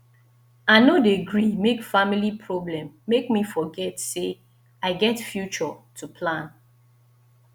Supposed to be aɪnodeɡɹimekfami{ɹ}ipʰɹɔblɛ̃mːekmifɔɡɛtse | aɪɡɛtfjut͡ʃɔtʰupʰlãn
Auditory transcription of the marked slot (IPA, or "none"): l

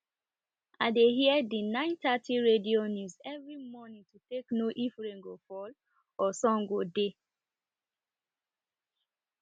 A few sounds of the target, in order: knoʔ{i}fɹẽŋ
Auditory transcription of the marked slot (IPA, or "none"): i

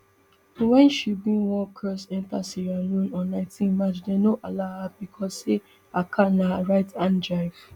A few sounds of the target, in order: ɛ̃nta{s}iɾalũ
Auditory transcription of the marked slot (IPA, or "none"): s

